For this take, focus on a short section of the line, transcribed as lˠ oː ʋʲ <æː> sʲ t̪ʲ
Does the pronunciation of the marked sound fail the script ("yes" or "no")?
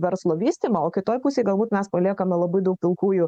yes